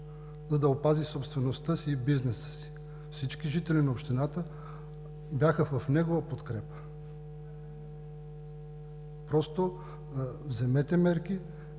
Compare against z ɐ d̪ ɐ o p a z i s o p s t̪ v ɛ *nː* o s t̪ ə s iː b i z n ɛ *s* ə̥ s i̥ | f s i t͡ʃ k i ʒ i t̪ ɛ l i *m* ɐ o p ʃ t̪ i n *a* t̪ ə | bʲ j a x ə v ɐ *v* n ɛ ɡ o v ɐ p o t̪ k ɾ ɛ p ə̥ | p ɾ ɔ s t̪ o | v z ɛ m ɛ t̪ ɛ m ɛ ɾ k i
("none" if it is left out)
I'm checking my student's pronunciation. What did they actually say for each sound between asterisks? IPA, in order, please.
n, s, n, a, f

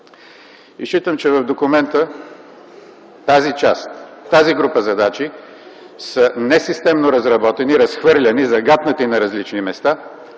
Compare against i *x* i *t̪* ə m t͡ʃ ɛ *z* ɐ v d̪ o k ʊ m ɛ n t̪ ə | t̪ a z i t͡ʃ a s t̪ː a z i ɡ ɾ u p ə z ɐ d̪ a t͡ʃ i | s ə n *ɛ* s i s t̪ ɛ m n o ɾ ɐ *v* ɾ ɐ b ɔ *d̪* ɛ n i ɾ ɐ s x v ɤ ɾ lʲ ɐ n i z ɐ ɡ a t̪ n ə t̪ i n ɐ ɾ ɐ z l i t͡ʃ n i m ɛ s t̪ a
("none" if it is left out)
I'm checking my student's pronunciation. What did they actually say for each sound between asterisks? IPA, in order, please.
ʃ, t̪, v, ɛ, z, t̪

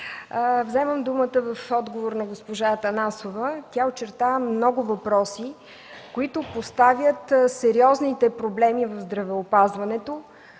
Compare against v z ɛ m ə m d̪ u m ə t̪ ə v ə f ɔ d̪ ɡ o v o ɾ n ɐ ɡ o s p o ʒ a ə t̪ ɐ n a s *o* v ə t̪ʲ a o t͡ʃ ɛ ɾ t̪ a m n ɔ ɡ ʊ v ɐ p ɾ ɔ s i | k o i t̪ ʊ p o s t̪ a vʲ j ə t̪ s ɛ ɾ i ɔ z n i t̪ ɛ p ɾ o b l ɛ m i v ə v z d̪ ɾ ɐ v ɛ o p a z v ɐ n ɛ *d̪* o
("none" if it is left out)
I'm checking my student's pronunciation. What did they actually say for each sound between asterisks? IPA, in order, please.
o, t̪

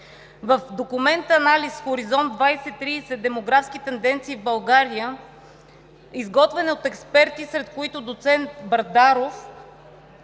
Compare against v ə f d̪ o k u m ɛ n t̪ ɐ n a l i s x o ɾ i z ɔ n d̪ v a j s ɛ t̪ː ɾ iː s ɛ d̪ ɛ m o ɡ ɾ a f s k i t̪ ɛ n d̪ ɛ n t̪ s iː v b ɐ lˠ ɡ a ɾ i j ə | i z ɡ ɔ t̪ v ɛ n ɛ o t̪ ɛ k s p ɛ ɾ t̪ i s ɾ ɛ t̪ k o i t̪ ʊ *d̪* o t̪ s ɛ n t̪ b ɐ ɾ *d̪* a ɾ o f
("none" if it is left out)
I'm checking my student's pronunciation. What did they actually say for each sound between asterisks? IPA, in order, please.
d̪, d̪

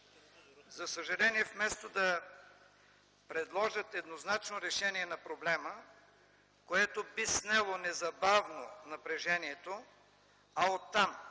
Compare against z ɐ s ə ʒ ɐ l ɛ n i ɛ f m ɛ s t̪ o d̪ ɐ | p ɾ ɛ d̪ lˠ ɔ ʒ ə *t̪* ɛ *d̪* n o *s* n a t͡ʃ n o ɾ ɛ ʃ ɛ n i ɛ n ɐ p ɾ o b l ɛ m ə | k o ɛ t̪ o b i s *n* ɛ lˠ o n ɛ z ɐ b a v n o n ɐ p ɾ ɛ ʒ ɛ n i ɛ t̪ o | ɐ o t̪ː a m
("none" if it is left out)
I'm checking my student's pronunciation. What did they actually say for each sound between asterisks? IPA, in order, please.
t̪, d̪, z, n

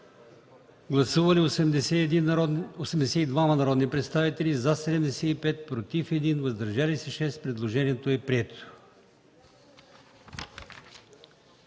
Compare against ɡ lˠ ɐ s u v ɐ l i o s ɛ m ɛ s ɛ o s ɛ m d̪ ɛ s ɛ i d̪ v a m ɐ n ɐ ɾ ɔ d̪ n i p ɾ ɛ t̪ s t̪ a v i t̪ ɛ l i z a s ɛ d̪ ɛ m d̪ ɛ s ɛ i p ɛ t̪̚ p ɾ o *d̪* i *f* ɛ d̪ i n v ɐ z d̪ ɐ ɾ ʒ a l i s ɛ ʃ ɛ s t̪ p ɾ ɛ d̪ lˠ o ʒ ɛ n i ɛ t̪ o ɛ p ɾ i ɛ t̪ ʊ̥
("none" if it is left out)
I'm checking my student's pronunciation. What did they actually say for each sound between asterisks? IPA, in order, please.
t̪, f

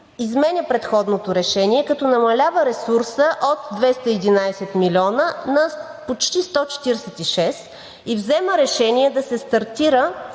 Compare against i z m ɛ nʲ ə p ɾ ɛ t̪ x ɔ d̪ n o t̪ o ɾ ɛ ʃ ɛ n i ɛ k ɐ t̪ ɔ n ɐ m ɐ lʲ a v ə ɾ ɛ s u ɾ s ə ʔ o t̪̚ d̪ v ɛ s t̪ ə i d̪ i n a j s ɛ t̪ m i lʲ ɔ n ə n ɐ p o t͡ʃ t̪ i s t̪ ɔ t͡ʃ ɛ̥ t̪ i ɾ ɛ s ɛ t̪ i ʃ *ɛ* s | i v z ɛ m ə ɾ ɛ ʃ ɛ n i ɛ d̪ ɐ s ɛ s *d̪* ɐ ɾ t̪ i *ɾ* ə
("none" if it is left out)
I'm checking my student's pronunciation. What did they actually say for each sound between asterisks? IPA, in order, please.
ɛ, t̪, ɾ

